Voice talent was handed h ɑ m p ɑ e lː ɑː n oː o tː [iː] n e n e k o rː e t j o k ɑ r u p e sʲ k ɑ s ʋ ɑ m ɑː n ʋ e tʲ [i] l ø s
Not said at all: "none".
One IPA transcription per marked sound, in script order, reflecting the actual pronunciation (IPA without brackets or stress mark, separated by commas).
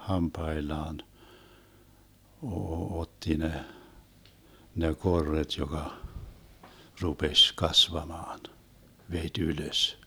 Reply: i, y